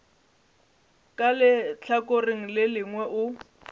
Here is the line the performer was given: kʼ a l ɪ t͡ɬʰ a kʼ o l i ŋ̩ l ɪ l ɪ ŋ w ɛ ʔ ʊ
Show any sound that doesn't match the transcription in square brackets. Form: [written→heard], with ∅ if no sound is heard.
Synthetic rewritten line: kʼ a l ɪ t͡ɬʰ a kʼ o [l→r] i ŋ̩ l ɪ l ɪ ŋ w ɛ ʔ ʊ

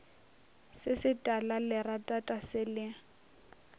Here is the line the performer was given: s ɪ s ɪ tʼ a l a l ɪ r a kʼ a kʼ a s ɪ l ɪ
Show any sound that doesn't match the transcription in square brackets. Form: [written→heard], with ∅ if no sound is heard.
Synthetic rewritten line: s ɪ s ɪ tʼ a l a l ɪ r a [kʼ→tʼ] a [kʼ→tʼ] a s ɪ l ɪ

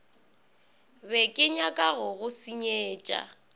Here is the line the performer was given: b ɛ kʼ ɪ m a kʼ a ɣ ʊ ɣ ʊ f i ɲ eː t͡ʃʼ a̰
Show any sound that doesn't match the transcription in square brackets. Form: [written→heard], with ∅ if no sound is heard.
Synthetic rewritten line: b ɛ kʼ ɪ [m→ɲ] a kʼ a ɣ ʊ ɣ ʊ [f→s] i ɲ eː t͡ʃʼ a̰

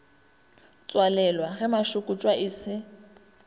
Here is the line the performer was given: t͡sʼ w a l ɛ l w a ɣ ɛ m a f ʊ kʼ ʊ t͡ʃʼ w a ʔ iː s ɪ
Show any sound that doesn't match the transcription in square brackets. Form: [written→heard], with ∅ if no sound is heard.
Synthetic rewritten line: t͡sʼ w a l ɛ l w a ɣ ɛ m a [f→ʃ] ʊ kʼ ʊ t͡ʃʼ w a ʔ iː s ɪ

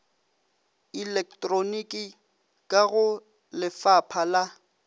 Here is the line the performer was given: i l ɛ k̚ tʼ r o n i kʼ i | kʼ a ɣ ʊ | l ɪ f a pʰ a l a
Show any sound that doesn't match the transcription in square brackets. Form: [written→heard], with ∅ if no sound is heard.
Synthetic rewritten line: i l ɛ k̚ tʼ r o n i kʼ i | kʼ a ɣ ʊ | l ɪ f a pʰ a l a

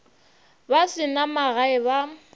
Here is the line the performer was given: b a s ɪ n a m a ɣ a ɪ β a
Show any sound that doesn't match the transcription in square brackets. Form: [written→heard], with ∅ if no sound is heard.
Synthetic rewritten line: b a s ɪ n a m a ɣ a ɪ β a

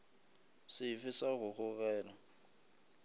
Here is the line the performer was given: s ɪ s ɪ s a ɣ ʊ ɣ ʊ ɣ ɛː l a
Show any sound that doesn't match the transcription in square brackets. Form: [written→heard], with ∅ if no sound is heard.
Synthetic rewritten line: s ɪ [s→f] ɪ s a ɣ ʊ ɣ ʊ ɣ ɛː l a

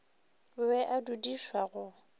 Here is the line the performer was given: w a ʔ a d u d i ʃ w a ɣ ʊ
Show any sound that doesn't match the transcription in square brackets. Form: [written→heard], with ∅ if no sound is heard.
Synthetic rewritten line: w [a→ɛ] ʔ a d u d i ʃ w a ɣ ʊ

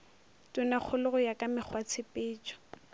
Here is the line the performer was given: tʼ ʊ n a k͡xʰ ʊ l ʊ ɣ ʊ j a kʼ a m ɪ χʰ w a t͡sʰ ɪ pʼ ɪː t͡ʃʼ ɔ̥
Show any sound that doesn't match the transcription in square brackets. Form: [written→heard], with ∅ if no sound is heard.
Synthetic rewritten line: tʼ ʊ n a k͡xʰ ʊ l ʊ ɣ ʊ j a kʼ a m ɪ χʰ w a t͡sʰ ɪ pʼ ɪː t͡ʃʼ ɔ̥

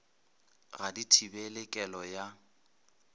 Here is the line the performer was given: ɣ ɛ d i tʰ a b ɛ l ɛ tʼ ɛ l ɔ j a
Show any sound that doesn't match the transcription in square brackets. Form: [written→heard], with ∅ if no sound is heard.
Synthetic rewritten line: ɣ [ɛ→a] d i tʰ [a→i] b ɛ l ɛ [tʼ→kʼ] ɛ l ɔ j a

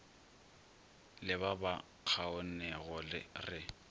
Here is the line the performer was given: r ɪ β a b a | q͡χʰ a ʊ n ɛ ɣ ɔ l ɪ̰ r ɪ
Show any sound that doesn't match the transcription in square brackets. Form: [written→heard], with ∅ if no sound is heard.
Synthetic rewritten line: [r→l] ɪ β a b a | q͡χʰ a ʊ n ɛ ɣ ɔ l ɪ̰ r ɪ

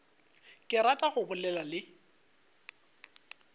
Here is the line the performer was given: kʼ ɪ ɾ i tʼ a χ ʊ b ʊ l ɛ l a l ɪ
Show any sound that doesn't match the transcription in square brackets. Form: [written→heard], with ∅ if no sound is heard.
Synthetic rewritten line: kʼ ɪ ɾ [i→a] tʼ a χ ʊ b ʊ l ɛ l a l ɪ

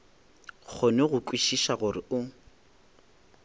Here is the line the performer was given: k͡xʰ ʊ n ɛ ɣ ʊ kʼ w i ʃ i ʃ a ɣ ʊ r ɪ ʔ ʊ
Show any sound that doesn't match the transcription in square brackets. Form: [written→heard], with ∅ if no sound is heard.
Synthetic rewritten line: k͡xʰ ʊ n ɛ ɣ ʊ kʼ w i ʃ i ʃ a ɣ ʊ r ɪ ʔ ʊ

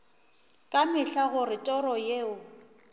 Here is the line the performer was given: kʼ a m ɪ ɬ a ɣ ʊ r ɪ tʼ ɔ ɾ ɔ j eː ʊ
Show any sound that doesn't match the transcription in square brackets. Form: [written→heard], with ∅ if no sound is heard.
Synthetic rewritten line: kʼ a m ɪ ɬ a ɣ ʊ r ɪ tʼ ɔ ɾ ɔ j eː ʊ

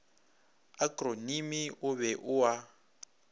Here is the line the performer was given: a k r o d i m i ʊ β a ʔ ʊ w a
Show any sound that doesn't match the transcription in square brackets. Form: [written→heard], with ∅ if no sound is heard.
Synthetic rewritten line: a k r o [d→n] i m i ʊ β [a→ɛ] ʔ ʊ w a

